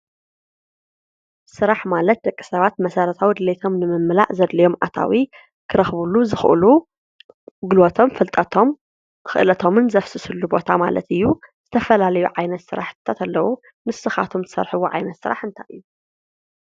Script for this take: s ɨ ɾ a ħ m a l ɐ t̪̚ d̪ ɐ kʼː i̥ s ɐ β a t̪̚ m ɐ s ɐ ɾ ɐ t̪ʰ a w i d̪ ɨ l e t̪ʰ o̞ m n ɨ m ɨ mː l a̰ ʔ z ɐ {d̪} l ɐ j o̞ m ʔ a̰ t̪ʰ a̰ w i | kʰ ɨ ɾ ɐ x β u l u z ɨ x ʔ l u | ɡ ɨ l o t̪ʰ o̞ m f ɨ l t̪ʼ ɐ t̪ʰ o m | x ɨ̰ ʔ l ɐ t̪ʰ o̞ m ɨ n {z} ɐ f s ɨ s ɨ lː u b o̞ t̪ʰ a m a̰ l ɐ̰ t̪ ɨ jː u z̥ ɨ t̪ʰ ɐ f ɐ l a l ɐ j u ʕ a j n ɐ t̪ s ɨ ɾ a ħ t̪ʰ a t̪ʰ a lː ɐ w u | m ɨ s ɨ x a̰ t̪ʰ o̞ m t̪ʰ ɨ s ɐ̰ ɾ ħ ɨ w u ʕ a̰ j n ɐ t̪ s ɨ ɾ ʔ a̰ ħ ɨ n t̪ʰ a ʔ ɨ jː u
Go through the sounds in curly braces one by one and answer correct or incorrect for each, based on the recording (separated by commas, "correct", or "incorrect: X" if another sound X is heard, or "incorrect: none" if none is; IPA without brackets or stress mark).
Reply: correct, correct